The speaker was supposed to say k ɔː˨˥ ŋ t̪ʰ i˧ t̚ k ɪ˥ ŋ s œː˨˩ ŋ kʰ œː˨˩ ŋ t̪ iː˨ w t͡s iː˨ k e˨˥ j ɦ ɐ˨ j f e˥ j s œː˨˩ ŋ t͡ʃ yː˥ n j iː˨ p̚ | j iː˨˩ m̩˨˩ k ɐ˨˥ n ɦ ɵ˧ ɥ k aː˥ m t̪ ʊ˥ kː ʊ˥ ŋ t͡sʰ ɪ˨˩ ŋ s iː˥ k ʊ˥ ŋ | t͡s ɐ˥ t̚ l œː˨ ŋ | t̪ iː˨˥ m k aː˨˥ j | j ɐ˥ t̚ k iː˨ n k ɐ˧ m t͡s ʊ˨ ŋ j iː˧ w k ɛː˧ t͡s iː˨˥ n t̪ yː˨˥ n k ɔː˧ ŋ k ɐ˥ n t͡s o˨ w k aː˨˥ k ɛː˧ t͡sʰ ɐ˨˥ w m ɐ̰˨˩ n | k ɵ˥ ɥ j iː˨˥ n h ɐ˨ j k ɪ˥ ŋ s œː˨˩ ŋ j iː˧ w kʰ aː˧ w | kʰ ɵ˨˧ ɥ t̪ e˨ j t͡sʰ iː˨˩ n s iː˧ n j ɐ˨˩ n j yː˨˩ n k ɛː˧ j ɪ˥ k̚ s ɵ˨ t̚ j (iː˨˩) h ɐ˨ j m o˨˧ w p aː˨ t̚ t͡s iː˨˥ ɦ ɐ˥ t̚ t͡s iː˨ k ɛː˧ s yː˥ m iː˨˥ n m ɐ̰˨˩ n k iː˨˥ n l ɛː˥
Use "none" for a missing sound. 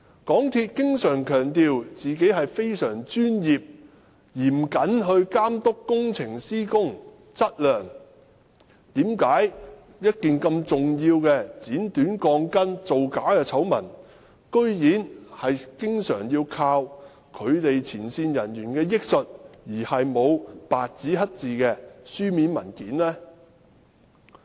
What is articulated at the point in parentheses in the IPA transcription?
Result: iː˨˩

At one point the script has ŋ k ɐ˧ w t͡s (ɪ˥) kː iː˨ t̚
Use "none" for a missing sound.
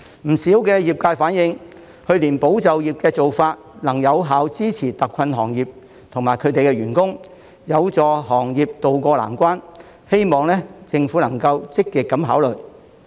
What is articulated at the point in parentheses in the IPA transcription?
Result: ɪ˥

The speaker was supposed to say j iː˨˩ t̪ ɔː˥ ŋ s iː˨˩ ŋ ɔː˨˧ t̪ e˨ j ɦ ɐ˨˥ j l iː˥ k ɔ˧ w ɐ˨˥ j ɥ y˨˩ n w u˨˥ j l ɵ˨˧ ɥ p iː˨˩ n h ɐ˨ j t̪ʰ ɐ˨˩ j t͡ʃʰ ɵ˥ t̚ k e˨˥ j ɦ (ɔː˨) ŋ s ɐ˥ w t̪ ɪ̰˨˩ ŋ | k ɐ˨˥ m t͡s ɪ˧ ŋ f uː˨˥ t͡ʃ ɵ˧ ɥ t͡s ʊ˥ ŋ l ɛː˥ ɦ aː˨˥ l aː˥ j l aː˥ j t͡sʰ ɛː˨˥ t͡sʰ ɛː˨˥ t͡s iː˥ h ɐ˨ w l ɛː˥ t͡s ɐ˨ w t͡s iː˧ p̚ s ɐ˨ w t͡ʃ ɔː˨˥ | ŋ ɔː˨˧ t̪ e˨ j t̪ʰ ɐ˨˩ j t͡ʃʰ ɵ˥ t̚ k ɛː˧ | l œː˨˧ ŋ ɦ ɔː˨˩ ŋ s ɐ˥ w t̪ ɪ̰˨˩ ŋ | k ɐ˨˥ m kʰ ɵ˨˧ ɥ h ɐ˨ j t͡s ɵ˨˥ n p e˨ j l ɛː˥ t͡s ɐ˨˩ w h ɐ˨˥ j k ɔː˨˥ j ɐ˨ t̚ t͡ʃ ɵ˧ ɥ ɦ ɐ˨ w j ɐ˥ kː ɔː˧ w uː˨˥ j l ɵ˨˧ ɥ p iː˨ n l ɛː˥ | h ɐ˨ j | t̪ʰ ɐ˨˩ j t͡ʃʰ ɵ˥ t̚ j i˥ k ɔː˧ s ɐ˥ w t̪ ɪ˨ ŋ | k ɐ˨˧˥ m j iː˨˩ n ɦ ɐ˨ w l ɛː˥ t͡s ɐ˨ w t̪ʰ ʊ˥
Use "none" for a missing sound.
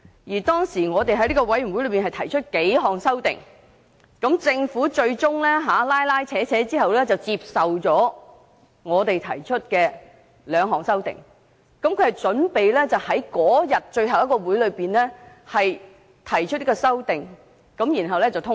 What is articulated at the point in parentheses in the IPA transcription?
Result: ɔː˨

